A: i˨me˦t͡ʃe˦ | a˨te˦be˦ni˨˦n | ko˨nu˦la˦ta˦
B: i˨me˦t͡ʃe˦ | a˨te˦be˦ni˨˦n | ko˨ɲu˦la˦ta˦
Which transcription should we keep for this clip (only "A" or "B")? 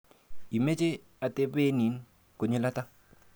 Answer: B